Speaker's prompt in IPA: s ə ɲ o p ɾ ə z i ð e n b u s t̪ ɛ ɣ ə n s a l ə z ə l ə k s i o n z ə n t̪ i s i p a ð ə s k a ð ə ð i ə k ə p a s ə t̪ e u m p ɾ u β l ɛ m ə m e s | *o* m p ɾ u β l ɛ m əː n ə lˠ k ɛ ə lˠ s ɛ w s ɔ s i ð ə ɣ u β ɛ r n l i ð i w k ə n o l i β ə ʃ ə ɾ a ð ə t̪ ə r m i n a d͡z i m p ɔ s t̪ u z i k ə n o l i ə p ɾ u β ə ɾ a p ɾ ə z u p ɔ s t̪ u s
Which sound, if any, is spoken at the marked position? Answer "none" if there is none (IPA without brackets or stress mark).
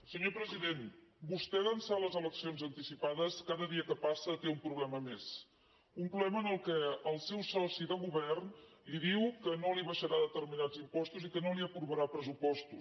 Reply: u